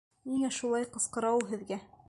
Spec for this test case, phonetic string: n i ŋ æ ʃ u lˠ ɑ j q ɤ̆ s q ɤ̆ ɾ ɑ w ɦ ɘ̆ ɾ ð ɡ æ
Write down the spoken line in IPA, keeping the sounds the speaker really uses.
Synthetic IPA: n i ŋ æ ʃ u lˠ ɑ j q ɤ̆ s q ɤ̆ ɾ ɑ w ɦ ɘ̆ ð ɡ æ